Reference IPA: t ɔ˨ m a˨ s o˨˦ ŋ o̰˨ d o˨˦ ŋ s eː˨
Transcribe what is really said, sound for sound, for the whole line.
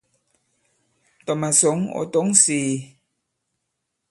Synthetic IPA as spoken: t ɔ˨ m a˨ s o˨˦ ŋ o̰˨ t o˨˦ ŋ s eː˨